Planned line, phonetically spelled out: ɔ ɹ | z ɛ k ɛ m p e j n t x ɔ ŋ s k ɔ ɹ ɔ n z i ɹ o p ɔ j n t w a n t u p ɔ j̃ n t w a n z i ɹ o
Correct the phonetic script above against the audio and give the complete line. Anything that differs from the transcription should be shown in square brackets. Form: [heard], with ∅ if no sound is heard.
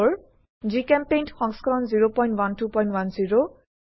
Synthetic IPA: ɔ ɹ | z [i] k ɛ m p e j n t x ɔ ŋ s k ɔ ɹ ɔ n z i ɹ o p ɔ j n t w a n t u p ɔ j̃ n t w a n z i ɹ o